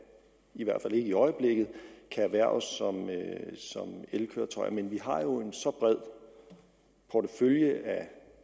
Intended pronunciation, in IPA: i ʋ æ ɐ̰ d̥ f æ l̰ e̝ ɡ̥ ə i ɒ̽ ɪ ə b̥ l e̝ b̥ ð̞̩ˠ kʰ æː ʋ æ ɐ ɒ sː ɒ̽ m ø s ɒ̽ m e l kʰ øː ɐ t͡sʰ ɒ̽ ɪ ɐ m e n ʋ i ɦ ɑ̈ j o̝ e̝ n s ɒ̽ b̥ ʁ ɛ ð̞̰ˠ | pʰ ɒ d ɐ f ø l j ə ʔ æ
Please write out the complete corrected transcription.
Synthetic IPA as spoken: i ʋ æ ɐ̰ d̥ f æ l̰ e̝ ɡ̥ ə i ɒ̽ ɪ ə b̥ l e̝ ɡ̥ ð̞̩ˠ kʰ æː ʋ æ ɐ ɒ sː ɒ̽ m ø s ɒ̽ m e l kʰ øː ɐ t͡sʰ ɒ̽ ɪ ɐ m e n ʋ i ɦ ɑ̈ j o̝ e̝ n s ɒ̽ b̥ ʁ ɛ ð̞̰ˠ | pʰ ɒ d ə f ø l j ə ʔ æ